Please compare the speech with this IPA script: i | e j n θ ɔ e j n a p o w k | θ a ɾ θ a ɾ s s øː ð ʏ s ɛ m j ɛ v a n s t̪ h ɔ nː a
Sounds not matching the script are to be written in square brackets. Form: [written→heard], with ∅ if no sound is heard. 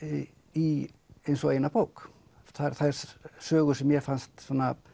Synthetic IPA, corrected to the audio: i | e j n [θ→s] ɔ e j n a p o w k | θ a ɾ θ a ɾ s s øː [ð→ɣ] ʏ s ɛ m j ɛ [v→f] a n s t̪ [h→s] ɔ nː a